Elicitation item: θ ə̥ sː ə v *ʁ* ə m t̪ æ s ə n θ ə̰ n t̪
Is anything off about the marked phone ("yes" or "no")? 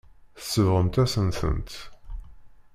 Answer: no